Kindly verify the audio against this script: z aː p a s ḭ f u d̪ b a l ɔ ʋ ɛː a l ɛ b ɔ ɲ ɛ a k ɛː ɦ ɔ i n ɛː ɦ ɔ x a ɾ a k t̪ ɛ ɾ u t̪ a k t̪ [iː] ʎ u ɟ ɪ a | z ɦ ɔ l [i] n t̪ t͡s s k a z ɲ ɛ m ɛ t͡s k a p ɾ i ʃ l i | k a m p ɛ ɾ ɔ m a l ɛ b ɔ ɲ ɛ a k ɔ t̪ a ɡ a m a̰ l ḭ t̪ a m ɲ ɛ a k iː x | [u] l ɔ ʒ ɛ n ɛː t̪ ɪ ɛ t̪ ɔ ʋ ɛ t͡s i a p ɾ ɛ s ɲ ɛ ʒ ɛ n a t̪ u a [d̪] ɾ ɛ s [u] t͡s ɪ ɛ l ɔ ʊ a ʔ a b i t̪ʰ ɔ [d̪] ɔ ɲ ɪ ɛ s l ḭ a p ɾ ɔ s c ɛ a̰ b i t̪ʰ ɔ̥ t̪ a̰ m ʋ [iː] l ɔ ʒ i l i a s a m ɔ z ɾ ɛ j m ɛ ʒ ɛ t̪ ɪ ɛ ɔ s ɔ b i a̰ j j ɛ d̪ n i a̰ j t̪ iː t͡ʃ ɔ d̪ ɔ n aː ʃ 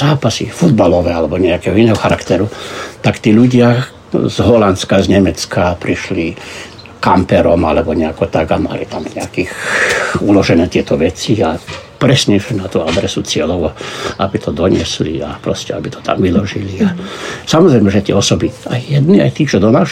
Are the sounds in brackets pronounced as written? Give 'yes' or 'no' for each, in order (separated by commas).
yes, no, yes, yes, yes, yes, no